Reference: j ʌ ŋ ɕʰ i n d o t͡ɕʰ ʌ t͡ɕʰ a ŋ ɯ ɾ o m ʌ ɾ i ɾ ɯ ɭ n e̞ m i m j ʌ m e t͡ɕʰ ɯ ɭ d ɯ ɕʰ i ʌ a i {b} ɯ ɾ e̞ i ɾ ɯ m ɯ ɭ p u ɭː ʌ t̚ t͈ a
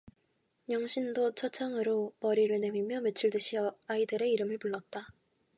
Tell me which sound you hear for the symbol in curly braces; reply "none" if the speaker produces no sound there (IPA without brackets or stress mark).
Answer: d